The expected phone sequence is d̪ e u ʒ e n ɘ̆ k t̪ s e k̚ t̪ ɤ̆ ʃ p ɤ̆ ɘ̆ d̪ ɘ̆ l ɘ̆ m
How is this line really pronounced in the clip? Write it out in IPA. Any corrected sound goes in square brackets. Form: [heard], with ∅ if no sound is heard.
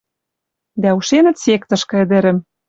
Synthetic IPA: d̪ [æ] u [ʃ] e n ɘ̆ [∅] t̪ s e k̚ t̪ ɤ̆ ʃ [k] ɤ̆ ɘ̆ d̪ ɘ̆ [ɾ] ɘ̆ m